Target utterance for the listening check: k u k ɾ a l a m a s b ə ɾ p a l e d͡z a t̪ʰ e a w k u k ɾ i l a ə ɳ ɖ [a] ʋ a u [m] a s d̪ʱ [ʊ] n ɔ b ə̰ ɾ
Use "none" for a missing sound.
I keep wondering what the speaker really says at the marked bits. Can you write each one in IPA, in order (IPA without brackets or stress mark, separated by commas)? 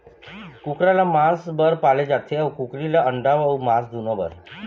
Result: a, m, u